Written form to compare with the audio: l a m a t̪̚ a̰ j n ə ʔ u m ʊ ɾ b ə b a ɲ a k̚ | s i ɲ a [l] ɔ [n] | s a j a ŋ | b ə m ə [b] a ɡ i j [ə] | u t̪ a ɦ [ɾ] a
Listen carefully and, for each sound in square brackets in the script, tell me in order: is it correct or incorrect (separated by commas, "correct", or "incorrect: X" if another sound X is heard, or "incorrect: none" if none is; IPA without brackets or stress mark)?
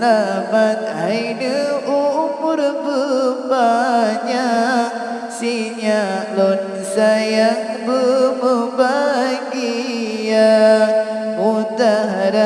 correct, correct, correct, incorrect: a, correct